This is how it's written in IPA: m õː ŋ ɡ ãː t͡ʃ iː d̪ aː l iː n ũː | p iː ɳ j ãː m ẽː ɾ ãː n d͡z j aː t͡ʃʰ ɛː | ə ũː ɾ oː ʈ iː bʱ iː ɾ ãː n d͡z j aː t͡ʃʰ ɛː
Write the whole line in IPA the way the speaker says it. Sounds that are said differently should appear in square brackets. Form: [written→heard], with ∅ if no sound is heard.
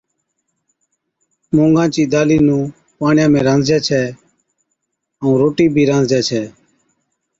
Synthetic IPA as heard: m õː ŋ ɡ ãː t͡ʃ iː d̪ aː l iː n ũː | p [iː→aː] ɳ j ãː m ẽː ɾ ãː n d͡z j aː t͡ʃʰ ɛː | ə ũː ɾ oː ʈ iː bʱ iː ɾ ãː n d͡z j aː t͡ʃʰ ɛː